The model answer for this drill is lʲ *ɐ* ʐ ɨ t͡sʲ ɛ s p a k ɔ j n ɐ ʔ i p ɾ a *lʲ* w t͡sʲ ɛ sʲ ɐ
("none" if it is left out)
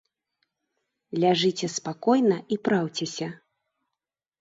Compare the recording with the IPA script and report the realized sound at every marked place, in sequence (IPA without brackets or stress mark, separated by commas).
a, none